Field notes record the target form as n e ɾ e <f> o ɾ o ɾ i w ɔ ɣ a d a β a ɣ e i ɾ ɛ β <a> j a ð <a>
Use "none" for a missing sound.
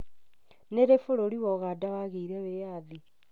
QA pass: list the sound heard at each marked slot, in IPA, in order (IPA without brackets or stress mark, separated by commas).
f, e, i